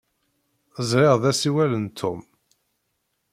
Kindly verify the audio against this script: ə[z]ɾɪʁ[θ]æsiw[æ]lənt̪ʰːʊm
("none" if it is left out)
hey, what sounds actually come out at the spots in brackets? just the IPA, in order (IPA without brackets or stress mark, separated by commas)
z, ð, æ